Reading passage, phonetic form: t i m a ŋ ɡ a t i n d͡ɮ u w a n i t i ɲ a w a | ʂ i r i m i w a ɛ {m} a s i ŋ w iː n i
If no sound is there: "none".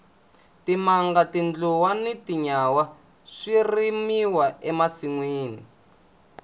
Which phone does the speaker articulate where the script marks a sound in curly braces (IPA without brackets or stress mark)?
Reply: m